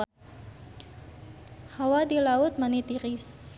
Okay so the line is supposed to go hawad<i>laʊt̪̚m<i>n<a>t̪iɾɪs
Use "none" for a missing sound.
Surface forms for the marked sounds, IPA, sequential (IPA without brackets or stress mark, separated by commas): i, a, i